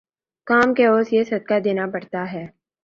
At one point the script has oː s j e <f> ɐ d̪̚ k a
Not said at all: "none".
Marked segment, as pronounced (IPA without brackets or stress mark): s